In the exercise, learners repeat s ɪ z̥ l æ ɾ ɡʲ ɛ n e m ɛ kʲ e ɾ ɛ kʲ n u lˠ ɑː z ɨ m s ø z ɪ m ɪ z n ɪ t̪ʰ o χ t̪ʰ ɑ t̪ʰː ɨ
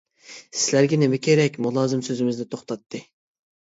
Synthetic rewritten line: s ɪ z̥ l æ ɾ ɡʲ ɛ n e m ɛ kʲ e ɾ ɛ kʲ m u lˠ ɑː z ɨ m s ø z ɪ m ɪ z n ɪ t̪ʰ o χ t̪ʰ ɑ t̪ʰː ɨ

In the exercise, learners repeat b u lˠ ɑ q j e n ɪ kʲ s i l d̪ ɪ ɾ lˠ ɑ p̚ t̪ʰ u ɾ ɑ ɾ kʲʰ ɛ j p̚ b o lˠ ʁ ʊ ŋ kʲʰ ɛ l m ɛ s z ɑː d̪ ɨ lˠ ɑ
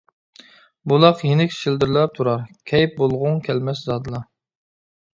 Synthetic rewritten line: b u lˠ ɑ q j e n ɪ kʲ ʃ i l d̪ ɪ ɾ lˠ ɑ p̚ t̪ʰ u ɾ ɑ ɾ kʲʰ ɛ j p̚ b o lˠ ʁ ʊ ŋ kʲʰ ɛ l m ɛ s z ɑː d̪ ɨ lˠ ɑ

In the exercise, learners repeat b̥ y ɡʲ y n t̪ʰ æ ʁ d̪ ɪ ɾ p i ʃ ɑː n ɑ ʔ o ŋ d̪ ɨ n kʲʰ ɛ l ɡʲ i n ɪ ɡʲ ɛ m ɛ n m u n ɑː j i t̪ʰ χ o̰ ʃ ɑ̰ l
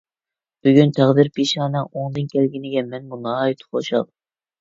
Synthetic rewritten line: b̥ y ɡʲ y n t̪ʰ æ ʁ d̪ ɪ ɾ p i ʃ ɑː n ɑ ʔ o ŋ d̪ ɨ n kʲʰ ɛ l ɡʲ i n ɪ ɡʲ ɛ m ɛ n m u n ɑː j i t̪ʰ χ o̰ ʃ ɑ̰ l

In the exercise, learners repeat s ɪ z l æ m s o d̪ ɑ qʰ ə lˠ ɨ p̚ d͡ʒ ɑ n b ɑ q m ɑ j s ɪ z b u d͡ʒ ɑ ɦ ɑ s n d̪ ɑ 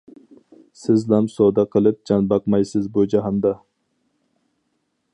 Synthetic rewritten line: s ɪ z l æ m s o d̪ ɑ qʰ ə lˠ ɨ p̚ d͡ʒ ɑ n b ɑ q m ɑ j s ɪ z b u d͡ʒ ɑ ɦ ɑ n d̪ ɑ

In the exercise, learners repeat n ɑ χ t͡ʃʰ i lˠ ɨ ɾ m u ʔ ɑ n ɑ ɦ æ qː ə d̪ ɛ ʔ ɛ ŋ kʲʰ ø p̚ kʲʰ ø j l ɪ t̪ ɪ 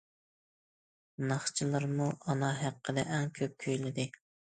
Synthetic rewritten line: n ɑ χ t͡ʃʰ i lˠ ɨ ɾ m u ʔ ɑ n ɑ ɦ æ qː ə d̪ ɛ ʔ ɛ ŋ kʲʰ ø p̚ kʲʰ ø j l ɪ d̪ ɪ

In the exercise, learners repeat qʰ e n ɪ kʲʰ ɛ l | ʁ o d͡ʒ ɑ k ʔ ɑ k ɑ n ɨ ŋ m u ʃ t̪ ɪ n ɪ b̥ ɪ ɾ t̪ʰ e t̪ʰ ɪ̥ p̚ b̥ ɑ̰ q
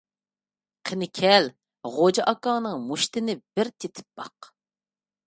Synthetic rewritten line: qʰ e n ɪ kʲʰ ɛ l | ʁ o d͡ʒ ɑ ʔ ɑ k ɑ n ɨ ŋ m u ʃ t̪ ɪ n ɪ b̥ ɪ ɾ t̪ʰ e t̪ʰ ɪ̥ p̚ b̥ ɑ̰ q

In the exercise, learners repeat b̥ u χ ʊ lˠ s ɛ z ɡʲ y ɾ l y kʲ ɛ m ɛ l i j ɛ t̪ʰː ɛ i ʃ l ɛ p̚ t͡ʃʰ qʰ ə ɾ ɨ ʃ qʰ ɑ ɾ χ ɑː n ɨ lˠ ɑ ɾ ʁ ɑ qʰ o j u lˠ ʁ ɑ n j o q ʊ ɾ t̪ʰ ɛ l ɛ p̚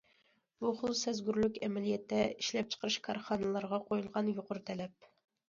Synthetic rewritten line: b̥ u χ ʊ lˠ s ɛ z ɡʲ y ɾ l y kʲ ɛ m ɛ l i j ɛ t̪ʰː ɛ i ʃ l ɛ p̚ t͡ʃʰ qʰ ə ɾ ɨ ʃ kʰ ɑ ɾ χ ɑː n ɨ lˠ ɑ ɾ ʁ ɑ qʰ o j u lˠ ʁ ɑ n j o q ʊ ɾ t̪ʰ ɛ l ɛ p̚

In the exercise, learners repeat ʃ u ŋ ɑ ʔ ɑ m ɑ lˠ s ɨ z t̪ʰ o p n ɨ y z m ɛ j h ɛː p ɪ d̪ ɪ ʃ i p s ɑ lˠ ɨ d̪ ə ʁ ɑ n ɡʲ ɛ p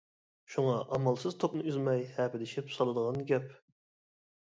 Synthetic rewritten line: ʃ u ŋ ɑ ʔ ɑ m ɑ lˠ s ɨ z t̪ʰ o p n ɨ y z m ɛ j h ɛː p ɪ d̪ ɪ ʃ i p s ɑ lˠ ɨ d̪ ə ʁ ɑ n ɡʲ ɛ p

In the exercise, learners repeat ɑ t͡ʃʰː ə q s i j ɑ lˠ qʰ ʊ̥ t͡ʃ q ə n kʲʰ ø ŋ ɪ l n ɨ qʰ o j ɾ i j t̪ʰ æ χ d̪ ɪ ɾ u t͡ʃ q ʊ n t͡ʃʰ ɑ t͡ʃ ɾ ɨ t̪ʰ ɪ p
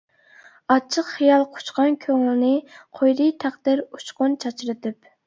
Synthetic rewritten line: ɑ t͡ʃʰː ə q χ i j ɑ lˠ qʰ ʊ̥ t͡ʃ q ɑ n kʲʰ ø ŋ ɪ l n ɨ qʰ o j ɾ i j t̪ʰ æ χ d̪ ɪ ɾ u t͡ʃ q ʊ n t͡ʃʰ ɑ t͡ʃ ɾ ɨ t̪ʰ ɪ p

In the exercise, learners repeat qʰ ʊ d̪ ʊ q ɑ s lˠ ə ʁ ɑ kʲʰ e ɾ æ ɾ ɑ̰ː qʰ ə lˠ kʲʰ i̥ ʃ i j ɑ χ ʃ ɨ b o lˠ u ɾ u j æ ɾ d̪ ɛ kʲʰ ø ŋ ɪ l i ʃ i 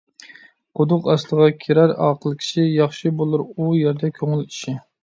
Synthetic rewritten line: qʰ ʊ d̪ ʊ q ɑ s lˠ ə ʁ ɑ kʲʰ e ɾ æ ɾ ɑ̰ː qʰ ə lˠ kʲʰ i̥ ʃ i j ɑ χ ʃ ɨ b o lˠ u ɾ u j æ ɾ d̪ ɛ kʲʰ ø ŋ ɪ l i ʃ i

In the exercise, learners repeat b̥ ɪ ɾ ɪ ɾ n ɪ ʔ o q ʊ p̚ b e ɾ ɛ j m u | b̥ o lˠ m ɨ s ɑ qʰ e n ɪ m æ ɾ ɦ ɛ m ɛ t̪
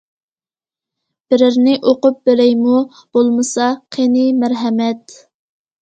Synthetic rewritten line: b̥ ɪ ɾ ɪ ɾ n ɪ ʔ o q ʊ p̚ b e ɾ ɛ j m u | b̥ o lˠ m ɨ s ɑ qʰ e n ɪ m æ ɾ ɦ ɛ m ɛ t̪

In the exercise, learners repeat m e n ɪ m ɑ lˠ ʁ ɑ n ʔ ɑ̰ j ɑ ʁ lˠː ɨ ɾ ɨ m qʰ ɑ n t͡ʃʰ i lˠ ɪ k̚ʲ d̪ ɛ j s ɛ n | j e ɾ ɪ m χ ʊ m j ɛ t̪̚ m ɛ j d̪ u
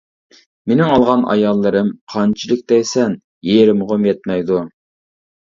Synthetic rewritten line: m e n ɪ ŋ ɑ lˠ ʁ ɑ n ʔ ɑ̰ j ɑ lˠː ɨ ɾ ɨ m qʰ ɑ n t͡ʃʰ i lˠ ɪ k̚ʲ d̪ ɛ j s ɛ n | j e ɾ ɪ m ʁ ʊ m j ɛ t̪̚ m ɛ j d̪ u

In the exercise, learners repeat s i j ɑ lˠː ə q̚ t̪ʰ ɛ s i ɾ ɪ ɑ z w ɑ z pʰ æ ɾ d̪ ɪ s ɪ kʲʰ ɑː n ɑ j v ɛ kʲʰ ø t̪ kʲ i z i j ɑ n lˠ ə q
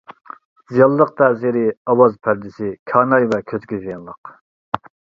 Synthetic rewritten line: z i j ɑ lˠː ə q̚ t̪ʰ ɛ z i ɾ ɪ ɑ w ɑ z pʰ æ ɾ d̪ ɪ s ɪ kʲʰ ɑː n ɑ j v ɛ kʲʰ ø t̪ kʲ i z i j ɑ n lˠ ə q

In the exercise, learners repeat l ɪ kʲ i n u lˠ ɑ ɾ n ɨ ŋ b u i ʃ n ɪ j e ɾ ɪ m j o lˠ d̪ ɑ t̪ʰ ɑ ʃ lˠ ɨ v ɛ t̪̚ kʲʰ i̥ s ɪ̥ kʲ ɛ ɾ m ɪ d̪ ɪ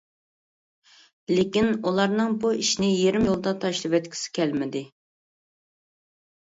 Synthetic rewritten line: l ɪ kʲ i n u lˠ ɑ ɾ n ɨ ŋ b u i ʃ n ɪ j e ɾ ɪ m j o lˠ d̪ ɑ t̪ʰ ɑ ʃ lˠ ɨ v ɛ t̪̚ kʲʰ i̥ s ɪ̥ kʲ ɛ l m ɪ d̪ ɪ

